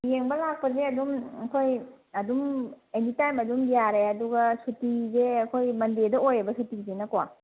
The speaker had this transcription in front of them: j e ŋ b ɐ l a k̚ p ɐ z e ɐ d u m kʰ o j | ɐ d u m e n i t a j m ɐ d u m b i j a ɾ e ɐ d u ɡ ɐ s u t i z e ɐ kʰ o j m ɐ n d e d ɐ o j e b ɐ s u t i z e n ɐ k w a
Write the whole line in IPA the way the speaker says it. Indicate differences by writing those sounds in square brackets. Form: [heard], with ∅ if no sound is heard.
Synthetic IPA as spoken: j e ŋ b ɐ l a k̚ p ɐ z e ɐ d u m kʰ o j | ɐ d u m e n i t a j m ɐ d u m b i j a ɾ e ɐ d u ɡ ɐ s u t i z e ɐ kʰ o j m ɐ n d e d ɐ o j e b ɐ s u t i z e n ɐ k w a